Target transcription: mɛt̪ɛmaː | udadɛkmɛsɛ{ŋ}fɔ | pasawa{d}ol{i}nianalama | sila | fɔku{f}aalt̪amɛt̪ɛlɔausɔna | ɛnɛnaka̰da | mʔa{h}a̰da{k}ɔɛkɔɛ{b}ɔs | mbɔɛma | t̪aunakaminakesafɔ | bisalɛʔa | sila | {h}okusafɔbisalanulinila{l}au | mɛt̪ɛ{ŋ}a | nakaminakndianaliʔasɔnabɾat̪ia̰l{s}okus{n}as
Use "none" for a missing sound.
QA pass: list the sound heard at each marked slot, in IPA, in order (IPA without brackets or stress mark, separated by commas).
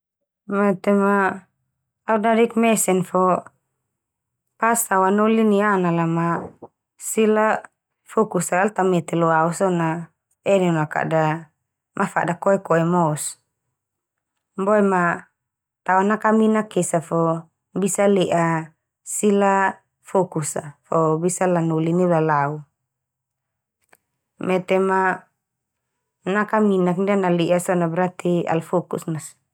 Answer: n, n, i, s, f, k, m, f, l, m, f, n